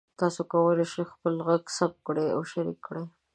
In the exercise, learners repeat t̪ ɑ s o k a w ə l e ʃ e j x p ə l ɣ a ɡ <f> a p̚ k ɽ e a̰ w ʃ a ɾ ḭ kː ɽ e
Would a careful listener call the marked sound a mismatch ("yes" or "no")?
yes